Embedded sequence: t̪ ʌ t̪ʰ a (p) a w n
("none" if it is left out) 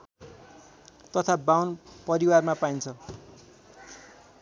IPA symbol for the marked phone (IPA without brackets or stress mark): b